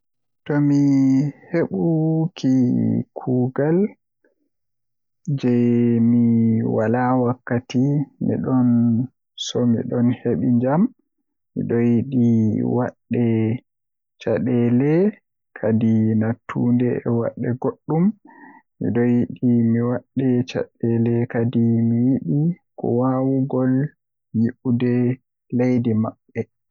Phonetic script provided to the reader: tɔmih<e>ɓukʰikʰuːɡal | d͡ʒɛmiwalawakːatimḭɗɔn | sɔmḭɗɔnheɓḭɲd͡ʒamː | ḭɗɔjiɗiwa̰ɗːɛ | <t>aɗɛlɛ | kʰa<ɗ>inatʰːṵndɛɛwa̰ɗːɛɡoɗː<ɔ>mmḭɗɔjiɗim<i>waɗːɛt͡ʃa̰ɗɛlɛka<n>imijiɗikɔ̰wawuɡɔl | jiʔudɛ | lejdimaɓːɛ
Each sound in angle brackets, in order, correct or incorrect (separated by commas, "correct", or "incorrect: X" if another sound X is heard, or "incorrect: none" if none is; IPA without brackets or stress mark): correct, incorrect: t͡ʃ, incorrect: d, incorrect: u, correct, incorrect: d